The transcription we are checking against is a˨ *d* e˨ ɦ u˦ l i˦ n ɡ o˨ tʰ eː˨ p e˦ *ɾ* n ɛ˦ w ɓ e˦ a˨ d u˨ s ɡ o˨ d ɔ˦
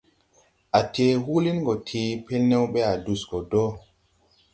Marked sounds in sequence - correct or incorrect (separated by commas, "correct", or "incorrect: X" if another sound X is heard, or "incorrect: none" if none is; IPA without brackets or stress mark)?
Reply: incorrect: t, incorrect: l